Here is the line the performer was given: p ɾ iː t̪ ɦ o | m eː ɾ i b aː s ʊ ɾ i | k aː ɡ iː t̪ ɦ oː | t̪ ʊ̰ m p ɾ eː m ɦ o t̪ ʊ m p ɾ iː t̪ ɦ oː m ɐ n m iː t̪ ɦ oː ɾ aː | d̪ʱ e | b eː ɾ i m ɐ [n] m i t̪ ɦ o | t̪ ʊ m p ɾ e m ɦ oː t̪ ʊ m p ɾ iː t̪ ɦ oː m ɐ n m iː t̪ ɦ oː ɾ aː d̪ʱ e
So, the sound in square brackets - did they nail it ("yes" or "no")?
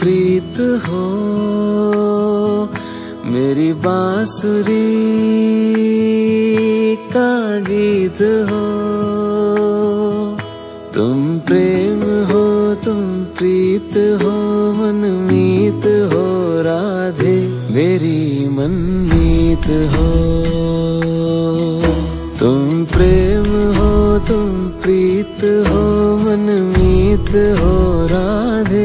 yes